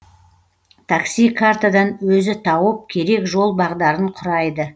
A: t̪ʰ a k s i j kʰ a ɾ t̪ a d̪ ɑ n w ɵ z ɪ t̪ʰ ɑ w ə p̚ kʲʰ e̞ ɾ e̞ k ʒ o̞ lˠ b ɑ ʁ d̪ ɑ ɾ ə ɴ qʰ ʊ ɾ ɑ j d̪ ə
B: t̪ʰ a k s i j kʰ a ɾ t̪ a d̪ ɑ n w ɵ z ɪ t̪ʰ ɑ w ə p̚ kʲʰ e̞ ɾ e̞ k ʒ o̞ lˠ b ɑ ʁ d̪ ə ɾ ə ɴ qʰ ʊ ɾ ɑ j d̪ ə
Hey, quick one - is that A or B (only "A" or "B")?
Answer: A